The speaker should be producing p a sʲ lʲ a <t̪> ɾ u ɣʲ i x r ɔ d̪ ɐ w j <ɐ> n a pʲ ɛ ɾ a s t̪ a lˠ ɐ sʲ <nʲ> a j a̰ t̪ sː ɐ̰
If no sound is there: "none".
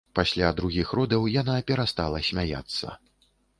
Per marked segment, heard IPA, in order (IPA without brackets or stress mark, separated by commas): d̪, a, mʲ